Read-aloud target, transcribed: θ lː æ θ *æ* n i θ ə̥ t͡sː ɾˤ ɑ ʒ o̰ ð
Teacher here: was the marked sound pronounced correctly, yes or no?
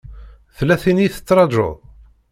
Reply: no